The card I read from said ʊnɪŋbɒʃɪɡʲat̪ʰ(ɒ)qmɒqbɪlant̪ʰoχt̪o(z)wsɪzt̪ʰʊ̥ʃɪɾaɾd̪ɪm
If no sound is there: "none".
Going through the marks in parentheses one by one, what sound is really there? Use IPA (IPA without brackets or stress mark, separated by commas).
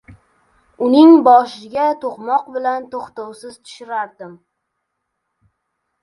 o, none